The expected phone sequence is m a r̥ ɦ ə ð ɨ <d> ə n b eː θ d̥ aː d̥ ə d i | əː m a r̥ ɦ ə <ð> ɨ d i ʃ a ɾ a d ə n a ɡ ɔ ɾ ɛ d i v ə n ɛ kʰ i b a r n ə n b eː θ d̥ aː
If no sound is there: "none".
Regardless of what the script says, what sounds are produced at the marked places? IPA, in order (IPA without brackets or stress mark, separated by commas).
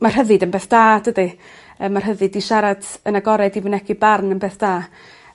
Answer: d, ð